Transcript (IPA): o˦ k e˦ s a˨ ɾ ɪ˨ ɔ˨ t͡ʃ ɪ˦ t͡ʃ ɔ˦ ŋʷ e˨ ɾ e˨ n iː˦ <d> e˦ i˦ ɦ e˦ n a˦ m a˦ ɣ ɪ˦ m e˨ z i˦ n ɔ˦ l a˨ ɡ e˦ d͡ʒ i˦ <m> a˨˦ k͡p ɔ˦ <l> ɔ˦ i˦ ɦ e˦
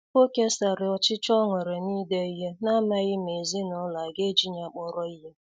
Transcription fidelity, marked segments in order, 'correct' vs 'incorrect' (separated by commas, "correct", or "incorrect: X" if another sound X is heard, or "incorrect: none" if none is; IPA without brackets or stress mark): correct, incorrect: ɲ, incorrect: ɾ